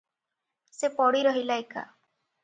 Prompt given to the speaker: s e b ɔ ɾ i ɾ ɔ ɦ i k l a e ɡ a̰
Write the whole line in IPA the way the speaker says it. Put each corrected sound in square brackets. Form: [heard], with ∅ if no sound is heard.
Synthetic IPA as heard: s e [p] ɔ [ɽ] i ɾ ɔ ɦ i [∅] l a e [k] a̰

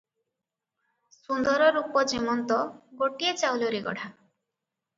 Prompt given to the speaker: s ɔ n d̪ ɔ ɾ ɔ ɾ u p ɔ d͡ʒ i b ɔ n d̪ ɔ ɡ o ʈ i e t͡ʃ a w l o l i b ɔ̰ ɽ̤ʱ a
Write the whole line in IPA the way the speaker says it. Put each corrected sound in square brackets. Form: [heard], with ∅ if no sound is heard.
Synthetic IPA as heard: s [u] n d̪ ɔ ɾ ɔ ɾ u p ɔ d͡ʒ i [m] ɔ n [t̪] ɔ ɡ o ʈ i e t͡ʃ a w l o [ɾ] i [ɡ] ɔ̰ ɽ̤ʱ a

